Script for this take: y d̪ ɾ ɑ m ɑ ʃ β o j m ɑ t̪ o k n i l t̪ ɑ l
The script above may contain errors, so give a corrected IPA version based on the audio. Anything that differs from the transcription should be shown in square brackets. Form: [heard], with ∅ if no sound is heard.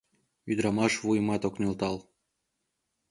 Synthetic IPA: y d̪ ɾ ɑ m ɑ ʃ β [u] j m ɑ t̪ o k n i l t̪ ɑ l

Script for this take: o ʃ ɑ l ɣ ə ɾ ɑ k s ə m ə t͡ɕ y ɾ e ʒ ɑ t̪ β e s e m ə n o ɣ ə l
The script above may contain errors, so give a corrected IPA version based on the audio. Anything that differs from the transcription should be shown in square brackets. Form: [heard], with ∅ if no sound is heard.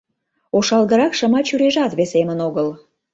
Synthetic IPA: o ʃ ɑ l ɣ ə ɾ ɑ k [ʃ] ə m [ɑ] t͡ɕ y ɾ e ʒ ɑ t̪ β e s e m ə n o ɣ ə l

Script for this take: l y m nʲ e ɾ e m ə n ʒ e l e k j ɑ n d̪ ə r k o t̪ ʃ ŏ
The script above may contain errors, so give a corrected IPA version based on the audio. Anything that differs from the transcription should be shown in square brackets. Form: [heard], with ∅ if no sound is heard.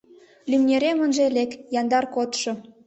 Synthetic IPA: l y m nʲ e ɾ e m ə n ʒ e l e k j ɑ n d̪ [ɑ] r k o t̪ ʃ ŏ

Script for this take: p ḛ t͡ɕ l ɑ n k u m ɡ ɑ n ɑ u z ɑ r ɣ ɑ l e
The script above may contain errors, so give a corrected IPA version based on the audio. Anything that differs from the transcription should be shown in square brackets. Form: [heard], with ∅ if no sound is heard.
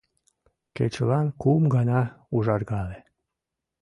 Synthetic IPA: [k] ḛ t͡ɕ l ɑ n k u m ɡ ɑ n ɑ u [ʒ] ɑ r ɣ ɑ l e

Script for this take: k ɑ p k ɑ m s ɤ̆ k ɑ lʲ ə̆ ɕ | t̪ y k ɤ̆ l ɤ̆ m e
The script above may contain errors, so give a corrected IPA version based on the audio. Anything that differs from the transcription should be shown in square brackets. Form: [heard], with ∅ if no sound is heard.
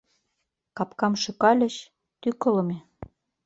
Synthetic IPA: k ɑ p k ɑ m [ʃ] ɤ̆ k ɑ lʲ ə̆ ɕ | t̪ y k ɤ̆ l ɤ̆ m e

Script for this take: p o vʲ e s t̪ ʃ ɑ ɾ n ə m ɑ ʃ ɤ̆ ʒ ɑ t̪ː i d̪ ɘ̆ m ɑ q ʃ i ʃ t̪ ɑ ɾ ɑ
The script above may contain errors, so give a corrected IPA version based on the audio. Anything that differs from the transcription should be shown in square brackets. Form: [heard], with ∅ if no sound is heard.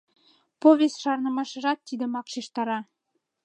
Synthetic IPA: p o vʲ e s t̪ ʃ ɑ ɾ n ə m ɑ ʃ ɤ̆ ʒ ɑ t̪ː i d̪ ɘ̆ m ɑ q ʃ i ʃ t̪ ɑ ɾ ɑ

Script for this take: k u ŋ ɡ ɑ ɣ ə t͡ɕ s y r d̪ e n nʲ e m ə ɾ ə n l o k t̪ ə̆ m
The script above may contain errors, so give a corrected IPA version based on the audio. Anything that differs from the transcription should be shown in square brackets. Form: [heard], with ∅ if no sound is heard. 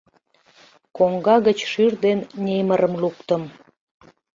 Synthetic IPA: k [o] ŋ ɡ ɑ ɣ ə t͡ɕ [ʃ] y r d̪ e n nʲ e m ə ɾ ə [m] l [u] k t̪ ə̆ m

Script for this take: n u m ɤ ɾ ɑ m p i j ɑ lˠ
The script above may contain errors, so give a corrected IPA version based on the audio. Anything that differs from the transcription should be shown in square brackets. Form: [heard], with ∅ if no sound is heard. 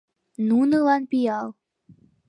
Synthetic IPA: n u [n] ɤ [l] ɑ [n] p i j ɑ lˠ

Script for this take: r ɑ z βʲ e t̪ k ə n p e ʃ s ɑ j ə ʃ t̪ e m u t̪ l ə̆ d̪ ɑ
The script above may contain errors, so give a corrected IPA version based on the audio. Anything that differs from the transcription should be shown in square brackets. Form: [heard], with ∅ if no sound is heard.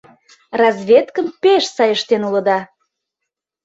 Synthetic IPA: r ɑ z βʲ e t̪ k ə [m] p e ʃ s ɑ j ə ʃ t̪ e [n] u [∅] l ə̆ d̪ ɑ

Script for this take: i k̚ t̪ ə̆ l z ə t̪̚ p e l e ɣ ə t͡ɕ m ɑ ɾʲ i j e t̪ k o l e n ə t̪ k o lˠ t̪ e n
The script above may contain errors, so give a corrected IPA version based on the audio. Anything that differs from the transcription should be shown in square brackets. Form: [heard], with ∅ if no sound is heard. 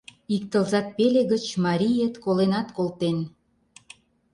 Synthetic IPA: i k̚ t̪ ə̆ l z [ɑ] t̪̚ p e l e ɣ ə t͡ɕ m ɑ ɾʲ i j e t̪ k o l e n [ɑ] t̪ k o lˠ t̪ e n

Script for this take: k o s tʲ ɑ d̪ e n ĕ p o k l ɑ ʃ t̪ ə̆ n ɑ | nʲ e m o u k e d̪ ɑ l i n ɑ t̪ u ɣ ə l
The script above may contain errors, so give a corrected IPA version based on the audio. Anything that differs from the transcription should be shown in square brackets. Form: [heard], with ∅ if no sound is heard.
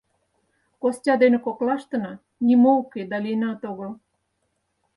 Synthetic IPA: k o s tʲ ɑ d̪ e n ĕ [k] o k l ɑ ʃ t̪ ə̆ n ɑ | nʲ [i] m o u k e d̪ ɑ l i n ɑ t̪ [o] ɣ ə l

